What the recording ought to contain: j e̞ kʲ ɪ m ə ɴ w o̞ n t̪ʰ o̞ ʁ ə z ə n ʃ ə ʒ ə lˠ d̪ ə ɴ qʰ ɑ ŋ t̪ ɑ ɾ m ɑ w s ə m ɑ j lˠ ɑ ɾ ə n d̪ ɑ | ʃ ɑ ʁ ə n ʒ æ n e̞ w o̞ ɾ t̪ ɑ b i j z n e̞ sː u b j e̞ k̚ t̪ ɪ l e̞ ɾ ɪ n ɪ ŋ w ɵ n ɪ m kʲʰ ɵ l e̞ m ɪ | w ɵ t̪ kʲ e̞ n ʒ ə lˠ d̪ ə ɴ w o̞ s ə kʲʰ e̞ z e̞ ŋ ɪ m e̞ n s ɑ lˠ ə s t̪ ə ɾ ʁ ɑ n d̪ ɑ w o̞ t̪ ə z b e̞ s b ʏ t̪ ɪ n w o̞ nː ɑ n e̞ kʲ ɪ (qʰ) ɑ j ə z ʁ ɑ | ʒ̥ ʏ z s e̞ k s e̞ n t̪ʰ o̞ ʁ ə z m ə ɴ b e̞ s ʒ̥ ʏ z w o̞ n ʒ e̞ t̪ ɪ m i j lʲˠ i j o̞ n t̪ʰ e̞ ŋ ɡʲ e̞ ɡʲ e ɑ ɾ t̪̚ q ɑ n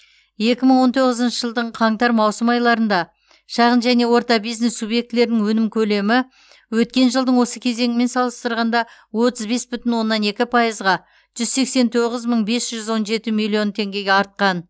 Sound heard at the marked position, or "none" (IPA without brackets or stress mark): pʰ